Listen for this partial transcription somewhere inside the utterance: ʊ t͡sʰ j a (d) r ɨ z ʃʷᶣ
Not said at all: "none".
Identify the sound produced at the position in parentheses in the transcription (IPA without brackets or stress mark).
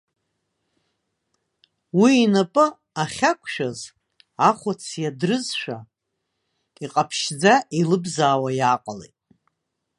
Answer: d